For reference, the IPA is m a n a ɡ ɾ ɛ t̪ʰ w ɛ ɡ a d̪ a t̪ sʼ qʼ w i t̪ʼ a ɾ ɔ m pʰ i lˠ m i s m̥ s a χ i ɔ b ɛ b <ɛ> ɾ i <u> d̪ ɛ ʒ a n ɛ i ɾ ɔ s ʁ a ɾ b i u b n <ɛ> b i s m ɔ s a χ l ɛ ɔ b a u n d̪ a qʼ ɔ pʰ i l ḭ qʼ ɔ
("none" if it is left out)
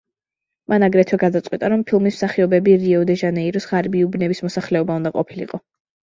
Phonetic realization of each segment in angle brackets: i, ɔ, ɛ

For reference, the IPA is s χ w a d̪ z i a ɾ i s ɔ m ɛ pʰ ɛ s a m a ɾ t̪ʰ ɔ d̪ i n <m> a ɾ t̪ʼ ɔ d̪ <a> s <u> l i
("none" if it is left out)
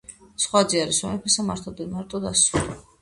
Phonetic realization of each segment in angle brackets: m, a, u

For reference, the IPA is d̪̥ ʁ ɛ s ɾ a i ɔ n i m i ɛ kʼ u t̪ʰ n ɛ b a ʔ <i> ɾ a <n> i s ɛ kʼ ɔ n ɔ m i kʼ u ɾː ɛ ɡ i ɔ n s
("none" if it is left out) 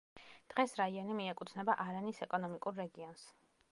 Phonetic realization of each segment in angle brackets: a, n

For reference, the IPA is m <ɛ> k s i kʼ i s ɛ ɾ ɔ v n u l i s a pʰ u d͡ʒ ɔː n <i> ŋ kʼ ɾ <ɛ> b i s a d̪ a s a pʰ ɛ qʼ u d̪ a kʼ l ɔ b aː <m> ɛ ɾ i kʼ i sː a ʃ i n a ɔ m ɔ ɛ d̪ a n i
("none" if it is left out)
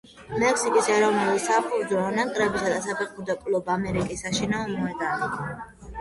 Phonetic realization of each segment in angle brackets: ɛ, a, ɛ, m

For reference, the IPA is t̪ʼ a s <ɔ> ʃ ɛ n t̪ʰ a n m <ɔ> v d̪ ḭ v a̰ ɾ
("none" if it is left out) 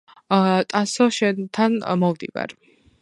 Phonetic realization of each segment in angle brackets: ɔ, ɔ

